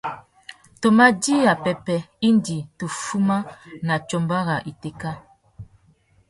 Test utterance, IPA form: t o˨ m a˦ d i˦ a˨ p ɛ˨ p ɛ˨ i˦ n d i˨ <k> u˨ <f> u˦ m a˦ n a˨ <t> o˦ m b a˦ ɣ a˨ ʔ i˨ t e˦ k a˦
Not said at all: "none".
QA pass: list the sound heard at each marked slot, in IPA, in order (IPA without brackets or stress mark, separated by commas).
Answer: t, f, t͡ʃ